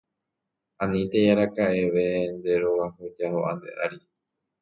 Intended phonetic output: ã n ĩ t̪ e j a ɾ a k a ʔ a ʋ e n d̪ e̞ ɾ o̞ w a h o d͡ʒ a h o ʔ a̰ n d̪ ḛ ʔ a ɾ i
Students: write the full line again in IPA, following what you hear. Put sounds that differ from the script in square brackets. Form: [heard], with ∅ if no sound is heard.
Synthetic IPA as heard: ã n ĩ t̪ e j a ɾ a k a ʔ [e] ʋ e n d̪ e̞ ɾ o̞ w a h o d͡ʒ a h o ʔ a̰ n d̪ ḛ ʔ a ɾ i